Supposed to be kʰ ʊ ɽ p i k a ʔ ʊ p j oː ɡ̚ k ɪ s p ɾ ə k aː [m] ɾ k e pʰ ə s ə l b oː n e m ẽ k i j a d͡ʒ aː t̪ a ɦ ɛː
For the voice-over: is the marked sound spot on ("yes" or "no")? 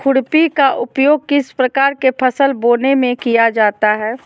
no